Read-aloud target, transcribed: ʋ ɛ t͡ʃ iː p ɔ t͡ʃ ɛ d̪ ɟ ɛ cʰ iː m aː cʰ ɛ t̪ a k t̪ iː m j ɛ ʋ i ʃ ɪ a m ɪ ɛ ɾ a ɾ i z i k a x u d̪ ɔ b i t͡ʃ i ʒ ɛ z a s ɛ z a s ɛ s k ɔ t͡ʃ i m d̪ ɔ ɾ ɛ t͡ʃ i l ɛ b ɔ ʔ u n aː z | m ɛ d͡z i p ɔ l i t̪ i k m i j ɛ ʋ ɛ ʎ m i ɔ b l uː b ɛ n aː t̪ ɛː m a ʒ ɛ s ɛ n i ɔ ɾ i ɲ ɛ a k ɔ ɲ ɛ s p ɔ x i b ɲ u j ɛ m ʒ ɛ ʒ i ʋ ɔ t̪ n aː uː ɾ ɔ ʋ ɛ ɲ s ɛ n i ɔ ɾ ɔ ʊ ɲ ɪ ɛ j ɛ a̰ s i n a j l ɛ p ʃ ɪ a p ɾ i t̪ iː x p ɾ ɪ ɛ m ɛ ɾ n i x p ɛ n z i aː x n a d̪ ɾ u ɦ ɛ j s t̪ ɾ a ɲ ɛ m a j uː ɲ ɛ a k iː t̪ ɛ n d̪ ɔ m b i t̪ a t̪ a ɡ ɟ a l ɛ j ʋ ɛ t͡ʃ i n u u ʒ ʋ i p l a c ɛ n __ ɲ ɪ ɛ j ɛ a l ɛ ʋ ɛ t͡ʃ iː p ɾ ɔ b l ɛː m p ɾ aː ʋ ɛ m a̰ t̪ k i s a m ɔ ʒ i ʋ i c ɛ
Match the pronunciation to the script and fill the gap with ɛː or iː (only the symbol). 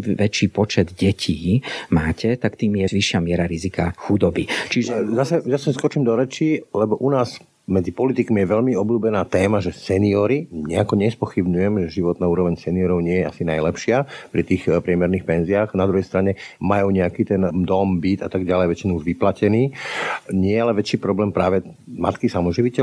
iː